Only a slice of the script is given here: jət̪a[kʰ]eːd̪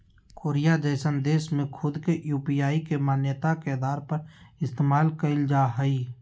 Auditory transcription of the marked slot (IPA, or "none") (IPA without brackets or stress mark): k